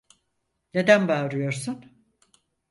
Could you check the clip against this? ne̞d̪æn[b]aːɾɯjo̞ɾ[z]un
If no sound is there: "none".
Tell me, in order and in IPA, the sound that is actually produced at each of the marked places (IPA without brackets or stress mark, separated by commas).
b, s